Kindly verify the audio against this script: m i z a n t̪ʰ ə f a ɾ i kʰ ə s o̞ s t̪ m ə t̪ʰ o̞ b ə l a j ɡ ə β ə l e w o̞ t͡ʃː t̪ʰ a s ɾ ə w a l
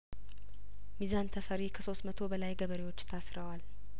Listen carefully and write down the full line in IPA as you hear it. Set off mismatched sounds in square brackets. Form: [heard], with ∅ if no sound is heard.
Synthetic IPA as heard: m i z a n t̪ʰ ə f [ə] ɾ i kʰ ə s o̞ s t̪ m ə t̪ʰ o̞ b ə l a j ɡ ə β ə [ɾ] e w o̞ t͡ʃː t̪ʰ a s ɾ ə w a l